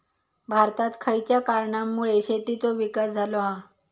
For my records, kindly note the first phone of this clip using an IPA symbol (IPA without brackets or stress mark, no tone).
bʱ